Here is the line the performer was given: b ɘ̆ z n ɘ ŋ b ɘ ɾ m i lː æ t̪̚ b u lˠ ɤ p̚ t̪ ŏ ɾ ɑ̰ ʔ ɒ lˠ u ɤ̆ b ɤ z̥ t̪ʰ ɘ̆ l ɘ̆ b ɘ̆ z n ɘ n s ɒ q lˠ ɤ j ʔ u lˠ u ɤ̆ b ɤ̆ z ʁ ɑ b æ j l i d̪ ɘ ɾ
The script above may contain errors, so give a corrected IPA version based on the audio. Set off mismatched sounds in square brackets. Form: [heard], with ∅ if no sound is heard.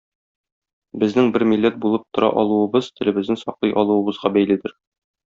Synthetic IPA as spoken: b ɘ̆ z n ɘ ŋ b ɘ ɾ m i lː æ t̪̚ b u lˠ ɤ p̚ t̪ ŏ ɾ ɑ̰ ʔ ɒ lˠ u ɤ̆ b ɤ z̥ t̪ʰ ɘ̆ l ɘ̆ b ɘ̆ z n ɘ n s ɒ q lˠ ɤ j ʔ [ɒ] lˠ u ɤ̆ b ɤ̆ z ʁ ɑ b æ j l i d̪ ɘ ɾ